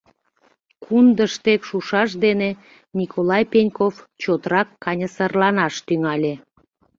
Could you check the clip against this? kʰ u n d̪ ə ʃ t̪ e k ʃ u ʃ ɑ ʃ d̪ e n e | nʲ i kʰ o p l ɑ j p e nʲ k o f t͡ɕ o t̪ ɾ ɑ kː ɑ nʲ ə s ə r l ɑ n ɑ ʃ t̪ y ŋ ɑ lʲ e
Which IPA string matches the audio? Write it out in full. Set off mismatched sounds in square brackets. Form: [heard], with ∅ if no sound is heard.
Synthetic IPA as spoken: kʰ u n d̪ ə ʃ t̪ e k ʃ u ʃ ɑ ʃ d̪ e n e | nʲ i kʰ o [∅] l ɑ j p e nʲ k o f t͡ɕ o t̪ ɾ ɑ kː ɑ nʲ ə s ə r l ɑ n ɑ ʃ t̪ y ŋ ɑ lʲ e